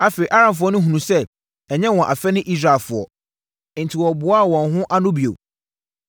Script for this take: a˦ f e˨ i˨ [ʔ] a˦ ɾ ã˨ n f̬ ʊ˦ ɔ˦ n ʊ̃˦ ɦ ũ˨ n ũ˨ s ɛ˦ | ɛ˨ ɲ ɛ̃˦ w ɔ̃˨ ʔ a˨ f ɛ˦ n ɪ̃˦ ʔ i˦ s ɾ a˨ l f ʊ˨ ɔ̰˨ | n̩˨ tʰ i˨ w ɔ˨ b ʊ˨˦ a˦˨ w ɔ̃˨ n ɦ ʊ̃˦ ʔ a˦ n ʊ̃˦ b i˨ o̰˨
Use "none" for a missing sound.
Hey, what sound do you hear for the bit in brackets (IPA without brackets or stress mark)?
ʔ